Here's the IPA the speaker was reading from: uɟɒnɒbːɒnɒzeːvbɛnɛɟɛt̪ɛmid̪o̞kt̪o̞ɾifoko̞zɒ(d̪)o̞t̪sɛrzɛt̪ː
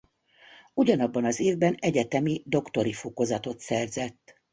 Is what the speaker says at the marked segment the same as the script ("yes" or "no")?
no